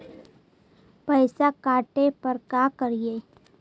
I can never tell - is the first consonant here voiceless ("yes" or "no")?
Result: yes